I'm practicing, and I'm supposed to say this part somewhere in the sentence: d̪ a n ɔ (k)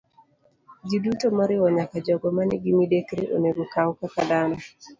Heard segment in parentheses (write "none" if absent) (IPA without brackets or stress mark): none